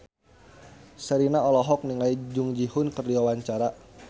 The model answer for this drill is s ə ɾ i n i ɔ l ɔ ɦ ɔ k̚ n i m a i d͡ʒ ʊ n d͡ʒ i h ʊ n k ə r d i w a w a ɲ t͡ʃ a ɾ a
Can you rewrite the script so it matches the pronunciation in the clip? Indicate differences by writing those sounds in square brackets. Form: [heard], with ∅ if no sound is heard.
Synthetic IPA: s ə ɾ i n [a] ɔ l ɔ ɦ ɔ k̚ n i [ŋ] a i d͡ʒ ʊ [ŋ] d͡ʒ i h ʊ n k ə r d i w a w a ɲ t͡ʃ a ɾ a